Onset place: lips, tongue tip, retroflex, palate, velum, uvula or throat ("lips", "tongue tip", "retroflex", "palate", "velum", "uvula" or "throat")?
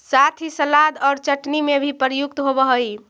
tongue tip